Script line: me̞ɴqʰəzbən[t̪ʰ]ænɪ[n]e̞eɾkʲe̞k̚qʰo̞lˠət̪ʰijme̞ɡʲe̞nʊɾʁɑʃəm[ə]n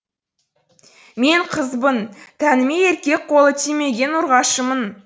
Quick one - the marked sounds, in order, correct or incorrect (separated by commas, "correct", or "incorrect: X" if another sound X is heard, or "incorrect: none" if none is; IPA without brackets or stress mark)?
correct, incorrect: m, correct